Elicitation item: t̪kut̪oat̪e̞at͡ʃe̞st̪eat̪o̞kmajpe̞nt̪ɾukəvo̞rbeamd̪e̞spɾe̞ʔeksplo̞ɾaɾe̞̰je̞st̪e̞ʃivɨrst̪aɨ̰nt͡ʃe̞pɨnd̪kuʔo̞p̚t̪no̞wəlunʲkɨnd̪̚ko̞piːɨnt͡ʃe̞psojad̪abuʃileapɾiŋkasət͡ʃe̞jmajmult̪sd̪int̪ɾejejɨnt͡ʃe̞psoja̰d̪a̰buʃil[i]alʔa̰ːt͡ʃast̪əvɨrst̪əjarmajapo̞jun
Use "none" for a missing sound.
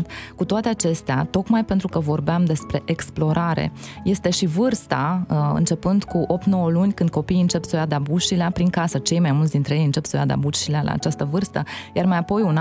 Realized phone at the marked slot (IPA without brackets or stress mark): e